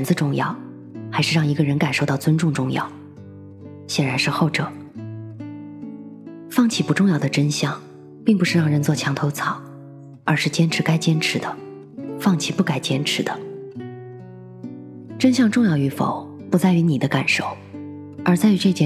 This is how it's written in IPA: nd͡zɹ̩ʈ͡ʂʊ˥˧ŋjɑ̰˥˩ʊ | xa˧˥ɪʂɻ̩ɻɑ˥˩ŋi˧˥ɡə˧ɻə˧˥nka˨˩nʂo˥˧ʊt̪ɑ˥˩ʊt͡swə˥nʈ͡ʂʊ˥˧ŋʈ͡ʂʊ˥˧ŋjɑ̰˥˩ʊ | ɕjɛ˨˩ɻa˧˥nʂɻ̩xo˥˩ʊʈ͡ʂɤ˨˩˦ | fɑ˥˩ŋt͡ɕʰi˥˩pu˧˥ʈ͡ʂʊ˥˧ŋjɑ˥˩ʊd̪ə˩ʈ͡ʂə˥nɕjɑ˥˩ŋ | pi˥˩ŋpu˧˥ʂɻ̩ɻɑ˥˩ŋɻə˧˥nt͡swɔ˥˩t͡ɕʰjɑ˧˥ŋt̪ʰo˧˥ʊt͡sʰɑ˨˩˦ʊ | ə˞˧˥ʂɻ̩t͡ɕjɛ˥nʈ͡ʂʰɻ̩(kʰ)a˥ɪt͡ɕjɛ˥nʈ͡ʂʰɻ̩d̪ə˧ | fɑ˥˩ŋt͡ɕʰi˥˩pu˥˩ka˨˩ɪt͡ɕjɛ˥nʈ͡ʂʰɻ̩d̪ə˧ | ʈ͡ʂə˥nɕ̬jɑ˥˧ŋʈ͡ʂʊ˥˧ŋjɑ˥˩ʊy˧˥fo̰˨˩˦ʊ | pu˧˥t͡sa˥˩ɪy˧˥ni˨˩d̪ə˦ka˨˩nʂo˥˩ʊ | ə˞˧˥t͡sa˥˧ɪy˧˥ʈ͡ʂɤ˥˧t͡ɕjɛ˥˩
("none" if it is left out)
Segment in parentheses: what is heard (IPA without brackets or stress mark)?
k